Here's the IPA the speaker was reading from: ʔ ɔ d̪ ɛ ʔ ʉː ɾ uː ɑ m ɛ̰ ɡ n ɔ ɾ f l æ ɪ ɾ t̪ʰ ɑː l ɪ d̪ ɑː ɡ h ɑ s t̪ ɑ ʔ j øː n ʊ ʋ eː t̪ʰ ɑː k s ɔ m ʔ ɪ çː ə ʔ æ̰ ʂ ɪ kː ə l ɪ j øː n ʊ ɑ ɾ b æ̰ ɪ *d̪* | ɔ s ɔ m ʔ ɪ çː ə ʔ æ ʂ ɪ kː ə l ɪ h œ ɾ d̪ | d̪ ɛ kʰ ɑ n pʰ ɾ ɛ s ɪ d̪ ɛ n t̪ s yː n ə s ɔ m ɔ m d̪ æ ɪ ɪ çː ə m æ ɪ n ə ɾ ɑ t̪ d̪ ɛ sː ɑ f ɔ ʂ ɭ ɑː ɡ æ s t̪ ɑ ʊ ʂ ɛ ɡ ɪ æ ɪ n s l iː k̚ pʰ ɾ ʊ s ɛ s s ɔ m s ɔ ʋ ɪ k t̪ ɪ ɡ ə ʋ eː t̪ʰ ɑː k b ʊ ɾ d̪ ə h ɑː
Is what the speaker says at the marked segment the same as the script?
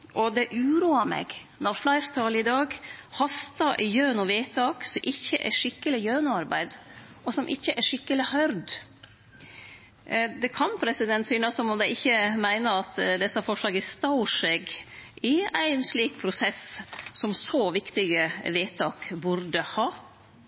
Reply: yes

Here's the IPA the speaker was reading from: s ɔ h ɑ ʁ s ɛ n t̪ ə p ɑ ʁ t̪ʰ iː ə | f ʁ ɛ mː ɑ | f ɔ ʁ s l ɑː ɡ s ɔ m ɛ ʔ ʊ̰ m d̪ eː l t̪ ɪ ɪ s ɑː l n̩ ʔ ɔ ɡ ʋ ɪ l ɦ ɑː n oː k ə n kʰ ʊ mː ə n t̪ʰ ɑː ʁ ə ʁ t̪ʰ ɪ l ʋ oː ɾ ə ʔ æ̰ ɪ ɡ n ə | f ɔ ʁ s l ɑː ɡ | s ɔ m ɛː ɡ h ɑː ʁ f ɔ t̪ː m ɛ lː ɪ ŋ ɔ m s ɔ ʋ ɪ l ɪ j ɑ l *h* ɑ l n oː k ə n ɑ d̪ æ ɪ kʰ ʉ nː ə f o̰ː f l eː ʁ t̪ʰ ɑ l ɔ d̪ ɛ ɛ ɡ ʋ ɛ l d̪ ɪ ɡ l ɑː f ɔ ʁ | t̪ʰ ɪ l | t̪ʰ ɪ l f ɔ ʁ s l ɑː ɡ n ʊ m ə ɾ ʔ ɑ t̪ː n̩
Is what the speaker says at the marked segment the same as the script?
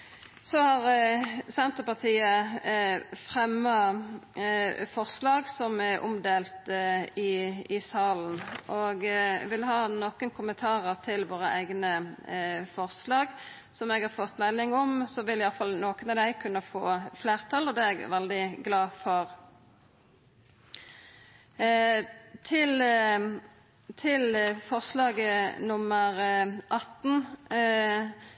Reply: no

